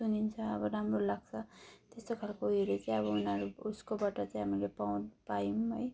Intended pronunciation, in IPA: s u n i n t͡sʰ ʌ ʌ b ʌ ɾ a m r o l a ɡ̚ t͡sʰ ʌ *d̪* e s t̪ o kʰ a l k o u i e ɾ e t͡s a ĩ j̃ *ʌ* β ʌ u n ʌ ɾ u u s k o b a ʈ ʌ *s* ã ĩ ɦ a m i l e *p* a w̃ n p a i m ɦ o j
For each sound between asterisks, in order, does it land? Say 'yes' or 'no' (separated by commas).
no, yes, no, yes